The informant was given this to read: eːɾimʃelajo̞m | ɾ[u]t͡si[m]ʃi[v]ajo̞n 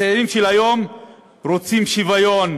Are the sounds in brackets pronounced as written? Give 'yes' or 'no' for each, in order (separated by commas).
no, yes, yes